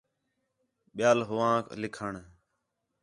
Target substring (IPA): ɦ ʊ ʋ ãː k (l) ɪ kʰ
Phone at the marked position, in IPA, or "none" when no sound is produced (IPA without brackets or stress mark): l